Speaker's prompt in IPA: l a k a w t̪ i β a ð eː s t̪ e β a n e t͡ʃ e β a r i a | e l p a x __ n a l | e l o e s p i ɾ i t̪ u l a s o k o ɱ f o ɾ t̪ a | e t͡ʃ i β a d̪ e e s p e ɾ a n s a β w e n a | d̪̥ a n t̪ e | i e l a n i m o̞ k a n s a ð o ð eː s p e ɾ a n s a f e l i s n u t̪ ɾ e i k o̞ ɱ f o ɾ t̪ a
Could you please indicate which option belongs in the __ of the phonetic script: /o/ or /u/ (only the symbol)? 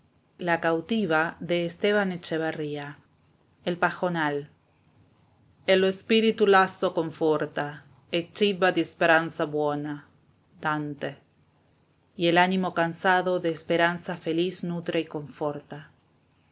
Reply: o